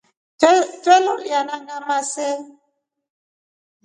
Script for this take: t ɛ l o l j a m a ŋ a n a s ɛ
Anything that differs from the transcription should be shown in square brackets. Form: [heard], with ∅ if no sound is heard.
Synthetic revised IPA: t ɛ l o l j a [n] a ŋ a [m] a s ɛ